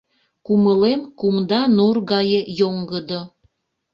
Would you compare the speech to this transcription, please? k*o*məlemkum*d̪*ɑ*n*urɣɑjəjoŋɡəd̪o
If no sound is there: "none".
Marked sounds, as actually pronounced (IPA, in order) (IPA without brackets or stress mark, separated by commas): u, d̪, n